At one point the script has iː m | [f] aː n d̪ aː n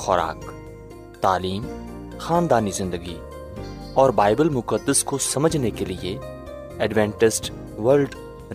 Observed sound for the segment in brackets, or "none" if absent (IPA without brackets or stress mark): x